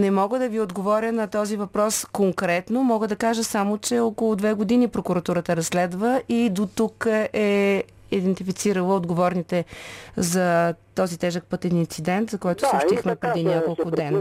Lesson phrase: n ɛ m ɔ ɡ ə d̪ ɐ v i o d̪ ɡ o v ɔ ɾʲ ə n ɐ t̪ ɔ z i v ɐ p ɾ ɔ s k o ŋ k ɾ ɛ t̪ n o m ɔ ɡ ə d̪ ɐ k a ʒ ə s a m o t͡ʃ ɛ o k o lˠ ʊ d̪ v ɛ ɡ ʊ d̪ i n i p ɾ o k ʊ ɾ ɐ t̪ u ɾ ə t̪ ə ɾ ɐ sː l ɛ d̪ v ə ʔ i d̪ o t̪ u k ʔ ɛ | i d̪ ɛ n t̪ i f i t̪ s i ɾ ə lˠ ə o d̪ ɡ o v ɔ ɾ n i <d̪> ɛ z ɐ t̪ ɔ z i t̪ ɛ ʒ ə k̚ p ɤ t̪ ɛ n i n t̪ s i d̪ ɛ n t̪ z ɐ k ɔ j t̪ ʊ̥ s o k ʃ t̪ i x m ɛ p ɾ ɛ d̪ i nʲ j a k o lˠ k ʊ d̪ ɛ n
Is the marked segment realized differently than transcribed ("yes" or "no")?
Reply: yes